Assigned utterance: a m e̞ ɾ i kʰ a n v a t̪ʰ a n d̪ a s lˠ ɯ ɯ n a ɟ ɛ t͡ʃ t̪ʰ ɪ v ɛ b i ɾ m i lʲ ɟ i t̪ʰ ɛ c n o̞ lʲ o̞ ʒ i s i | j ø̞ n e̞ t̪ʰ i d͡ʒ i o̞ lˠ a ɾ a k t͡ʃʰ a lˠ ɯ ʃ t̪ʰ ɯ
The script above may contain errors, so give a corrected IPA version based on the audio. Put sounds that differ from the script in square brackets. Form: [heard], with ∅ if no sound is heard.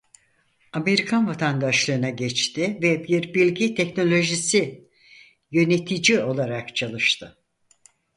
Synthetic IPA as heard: a m e̞ ɾ i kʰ a n v a t̪ʰ a n d̪ a [ʃ] lˠ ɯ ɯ n a ɟ ɛ t͡ʃ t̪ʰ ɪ v ɛ b i ɾ [b] i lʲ ɟ i t̪ʰ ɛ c n o̞ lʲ o̞ ʒ i s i | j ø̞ n e̞ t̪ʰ i d͡ʒ i o̞ lˠ a ɾ a k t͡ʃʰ a lˠ ɯ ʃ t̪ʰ ɯ